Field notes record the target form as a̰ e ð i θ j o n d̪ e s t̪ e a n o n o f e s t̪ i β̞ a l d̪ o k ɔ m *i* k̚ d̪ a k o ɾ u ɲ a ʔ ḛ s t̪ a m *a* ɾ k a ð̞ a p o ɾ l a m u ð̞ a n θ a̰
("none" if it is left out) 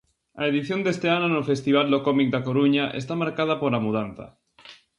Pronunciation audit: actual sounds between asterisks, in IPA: i, a

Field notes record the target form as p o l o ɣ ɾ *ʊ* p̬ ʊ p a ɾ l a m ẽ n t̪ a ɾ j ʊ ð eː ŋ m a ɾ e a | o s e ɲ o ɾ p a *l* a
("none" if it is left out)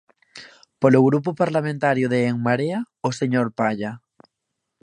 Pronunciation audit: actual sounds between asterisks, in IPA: u, ʎ

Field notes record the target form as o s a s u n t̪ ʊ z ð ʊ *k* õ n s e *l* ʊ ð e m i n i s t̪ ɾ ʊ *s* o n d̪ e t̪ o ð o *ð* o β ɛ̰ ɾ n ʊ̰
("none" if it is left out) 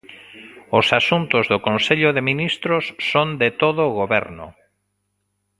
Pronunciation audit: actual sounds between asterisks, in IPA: k, ʎ, sː, ɣ

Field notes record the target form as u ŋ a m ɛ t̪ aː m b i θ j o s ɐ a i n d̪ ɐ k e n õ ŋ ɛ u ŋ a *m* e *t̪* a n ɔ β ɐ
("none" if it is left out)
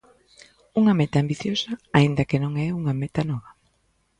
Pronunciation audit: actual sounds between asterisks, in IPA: m, t̪

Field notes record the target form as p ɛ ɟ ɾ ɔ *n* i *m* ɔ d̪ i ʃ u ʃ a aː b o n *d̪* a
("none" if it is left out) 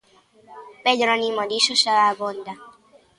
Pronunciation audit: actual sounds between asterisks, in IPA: n, m, d̪

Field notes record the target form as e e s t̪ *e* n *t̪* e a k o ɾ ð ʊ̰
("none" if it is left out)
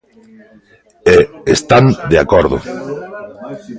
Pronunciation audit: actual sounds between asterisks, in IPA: a, d̪

